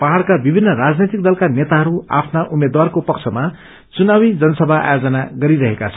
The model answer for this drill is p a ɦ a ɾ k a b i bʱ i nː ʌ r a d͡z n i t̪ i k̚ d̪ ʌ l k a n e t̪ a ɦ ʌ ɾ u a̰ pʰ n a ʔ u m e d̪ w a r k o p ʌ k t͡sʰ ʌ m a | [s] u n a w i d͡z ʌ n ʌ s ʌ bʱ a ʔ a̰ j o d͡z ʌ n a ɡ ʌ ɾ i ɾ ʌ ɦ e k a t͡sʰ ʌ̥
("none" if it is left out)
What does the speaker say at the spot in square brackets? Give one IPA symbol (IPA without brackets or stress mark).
t͡s